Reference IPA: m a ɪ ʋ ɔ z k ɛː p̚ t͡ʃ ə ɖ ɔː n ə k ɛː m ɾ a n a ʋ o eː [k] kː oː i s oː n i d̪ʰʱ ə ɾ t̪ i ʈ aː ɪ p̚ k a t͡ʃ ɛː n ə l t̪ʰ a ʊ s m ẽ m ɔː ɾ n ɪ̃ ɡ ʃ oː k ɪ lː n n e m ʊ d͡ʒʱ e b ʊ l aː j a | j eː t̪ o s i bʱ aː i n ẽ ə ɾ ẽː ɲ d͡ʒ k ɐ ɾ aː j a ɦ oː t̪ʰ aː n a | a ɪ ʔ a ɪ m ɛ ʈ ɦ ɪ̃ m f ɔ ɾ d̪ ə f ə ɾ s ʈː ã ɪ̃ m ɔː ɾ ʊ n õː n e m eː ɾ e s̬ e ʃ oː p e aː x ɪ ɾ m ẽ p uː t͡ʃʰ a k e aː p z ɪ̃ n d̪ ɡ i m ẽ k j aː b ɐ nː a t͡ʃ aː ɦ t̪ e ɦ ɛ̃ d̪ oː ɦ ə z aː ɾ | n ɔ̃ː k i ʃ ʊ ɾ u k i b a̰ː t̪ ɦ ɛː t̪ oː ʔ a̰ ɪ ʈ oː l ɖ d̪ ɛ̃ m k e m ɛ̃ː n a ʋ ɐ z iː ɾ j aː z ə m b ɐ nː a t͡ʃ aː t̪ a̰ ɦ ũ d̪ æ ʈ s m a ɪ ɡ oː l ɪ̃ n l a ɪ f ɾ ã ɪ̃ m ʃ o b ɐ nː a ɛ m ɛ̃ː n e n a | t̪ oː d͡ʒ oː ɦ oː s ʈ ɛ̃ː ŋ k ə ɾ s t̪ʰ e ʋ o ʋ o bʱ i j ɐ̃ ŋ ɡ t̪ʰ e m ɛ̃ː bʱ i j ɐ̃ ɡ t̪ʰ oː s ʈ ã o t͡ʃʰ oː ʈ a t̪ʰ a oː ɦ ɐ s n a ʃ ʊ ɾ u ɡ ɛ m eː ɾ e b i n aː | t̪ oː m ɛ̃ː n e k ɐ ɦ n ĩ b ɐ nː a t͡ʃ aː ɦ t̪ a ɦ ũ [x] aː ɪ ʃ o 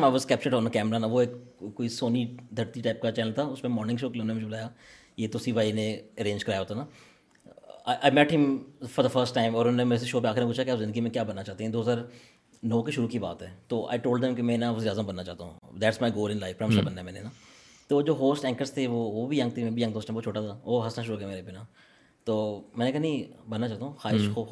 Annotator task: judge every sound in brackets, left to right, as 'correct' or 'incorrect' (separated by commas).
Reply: correct, correct